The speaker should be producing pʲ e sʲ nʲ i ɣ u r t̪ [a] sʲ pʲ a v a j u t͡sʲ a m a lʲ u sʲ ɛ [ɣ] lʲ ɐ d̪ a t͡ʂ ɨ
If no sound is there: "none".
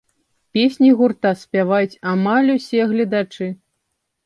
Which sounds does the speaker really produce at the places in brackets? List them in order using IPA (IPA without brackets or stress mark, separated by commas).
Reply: a, ɣ